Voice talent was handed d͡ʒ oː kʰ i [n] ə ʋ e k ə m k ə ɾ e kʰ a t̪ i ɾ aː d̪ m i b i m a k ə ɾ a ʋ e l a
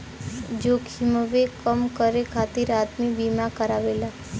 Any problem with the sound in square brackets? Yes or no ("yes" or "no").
yes